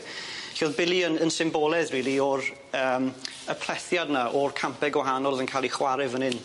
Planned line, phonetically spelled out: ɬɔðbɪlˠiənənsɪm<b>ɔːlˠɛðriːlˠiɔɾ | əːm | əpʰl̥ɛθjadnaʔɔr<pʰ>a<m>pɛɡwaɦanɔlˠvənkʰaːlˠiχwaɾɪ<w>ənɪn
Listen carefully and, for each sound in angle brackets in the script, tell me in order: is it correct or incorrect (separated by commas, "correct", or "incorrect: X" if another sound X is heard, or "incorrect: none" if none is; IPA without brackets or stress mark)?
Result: correct, incorrect: kʰ, correct, incorrect: v